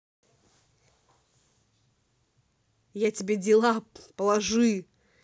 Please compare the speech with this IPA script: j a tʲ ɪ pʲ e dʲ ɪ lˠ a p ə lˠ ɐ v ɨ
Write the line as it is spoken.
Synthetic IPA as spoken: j a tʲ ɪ bʲ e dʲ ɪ lˠ a p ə lˠ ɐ ʐ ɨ